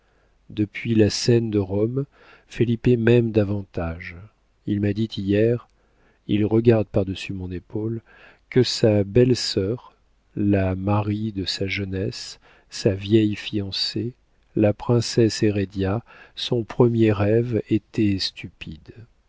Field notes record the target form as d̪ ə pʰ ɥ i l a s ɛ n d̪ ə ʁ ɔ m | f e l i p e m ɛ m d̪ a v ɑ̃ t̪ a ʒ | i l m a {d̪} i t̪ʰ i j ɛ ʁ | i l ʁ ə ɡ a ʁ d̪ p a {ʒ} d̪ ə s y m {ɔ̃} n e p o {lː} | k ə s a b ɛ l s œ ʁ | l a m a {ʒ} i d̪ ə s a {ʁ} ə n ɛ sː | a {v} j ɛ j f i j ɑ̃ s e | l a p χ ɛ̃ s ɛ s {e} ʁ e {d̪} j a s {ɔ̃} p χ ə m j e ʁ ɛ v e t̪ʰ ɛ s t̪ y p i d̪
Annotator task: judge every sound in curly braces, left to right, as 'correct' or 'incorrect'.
correct, incorrect: ʁ, correct, incorrect: l, incorrect: ʁ, incorrect: ʒ, correct, correct, correct, correct

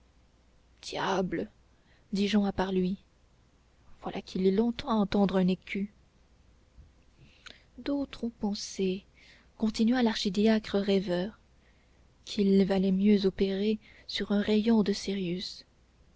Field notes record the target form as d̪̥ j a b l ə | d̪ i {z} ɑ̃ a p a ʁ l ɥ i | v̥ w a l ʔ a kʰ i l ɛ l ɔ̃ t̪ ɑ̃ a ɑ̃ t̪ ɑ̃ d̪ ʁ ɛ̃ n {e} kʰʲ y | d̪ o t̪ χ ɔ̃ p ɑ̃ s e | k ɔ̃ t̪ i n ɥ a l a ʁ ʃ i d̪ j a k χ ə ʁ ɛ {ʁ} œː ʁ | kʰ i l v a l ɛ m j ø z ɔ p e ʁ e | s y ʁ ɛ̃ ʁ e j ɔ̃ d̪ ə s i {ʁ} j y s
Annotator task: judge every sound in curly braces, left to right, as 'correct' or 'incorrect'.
incorrect: ʒ, correct, incorrect: v, correct

